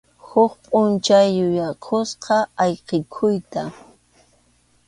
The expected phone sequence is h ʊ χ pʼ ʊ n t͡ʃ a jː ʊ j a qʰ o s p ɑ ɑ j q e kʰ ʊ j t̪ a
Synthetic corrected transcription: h ʊ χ pʼ ʊ n t͡ʃ a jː ʊ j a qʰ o s q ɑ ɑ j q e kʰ ʊ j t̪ a